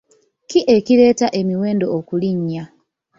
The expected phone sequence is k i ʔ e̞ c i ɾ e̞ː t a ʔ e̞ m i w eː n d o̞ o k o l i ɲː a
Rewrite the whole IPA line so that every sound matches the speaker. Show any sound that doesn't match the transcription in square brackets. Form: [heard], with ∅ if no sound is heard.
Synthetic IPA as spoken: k i ʔ e̞ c i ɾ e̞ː t a ʔ e̞ m i w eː n d o̞ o k [u] l i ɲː a